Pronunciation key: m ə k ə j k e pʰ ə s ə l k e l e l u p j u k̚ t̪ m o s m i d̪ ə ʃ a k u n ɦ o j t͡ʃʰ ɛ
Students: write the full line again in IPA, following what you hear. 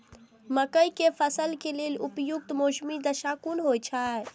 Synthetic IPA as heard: m ə k ə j k e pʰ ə s ə l k e l e l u p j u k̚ t̪ m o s m i d̪ ə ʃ a k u n ɦ o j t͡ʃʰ a